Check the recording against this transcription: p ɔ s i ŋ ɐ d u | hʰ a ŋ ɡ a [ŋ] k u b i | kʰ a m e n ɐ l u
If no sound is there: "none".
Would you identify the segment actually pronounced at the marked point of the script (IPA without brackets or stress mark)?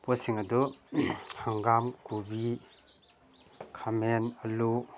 m